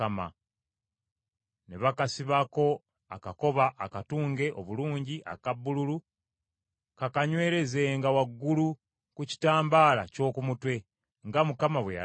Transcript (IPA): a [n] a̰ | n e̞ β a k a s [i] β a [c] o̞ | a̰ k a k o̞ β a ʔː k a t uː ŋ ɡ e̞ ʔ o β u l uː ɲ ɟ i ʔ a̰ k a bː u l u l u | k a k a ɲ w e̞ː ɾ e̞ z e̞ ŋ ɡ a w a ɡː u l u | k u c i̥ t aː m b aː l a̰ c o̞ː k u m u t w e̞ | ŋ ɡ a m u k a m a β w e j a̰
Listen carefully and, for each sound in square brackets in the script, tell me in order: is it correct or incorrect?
incorrect, correct, incorrect

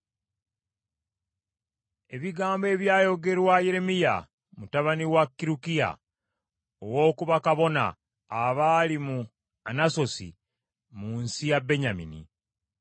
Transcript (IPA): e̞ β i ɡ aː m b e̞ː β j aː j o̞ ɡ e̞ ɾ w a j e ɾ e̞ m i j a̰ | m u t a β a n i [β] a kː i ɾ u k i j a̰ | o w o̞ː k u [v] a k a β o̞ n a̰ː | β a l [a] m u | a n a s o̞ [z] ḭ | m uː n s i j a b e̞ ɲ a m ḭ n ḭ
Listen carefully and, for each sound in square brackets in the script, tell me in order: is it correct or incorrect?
incorrect, incorrect, incorrect, incorrect

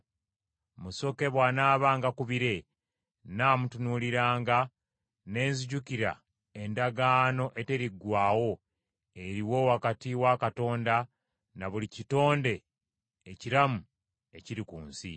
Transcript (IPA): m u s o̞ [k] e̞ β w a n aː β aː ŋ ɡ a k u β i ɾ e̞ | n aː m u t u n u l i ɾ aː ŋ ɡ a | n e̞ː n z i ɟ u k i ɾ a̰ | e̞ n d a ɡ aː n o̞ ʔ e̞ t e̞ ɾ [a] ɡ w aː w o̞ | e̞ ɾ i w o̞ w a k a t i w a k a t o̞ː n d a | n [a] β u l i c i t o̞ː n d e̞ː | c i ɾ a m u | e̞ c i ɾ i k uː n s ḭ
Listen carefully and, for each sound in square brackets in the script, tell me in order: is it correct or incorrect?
correct, incorrect, correct

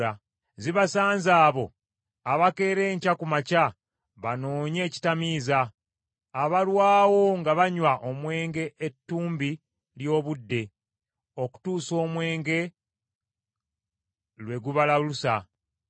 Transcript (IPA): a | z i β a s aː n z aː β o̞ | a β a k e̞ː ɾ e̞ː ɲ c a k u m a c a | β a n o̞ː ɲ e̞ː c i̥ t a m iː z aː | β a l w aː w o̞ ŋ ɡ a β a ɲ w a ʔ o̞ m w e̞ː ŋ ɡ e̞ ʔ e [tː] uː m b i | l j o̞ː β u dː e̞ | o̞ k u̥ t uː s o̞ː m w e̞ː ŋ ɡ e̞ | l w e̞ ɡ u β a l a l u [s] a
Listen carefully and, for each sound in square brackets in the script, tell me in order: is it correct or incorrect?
correct, correct

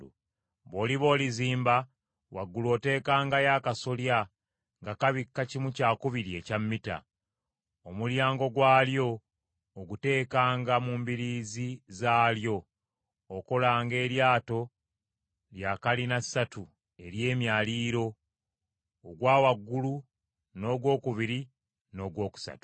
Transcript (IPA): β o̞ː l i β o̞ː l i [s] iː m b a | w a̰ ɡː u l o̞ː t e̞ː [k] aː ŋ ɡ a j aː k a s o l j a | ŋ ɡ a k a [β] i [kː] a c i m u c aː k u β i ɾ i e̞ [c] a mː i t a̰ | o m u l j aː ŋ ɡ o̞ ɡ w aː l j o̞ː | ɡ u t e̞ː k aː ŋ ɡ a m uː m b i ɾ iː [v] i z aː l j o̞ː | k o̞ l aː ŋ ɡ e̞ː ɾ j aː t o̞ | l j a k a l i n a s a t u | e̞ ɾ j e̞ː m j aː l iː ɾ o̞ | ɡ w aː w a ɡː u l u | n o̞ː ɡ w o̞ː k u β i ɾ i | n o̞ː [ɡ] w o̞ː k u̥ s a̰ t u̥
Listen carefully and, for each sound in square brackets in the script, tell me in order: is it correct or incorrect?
incorrect, correct, correct, correct, correct, incorrect, correct

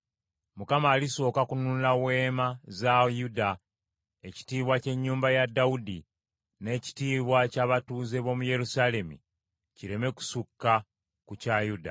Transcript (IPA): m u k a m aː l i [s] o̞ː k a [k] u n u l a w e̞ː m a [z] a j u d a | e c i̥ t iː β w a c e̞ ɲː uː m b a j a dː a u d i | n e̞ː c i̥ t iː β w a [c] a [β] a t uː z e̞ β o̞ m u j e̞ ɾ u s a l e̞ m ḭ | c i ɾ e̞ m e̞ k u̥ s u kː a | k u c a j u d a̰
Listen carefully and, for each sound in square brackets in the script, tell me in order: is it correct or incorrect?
correct, correct, correct, correct, correct

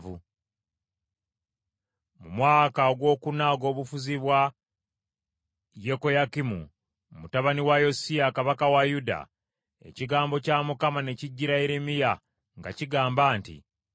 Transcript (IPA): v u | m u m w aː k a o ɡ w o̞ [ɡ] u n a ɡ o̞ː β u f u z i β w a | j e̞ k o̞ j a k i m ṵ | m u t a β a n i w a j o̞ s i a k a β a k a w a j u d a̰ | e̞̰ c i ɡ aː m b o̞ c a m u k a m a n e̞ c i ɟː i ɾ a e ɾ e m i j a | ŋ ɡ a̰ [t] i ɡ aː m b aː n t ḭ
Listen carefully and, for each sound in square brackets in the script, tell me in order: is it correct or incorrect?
incorrect, incorrect

